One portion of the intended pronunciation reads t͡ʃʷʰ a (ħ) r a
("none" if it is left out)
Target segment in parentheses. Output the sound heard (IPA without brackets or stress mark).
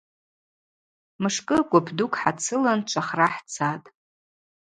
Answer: χ